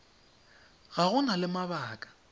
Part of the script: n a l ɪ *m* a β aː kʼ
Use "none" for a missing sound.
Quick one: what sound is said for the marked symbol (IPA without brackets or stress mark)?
m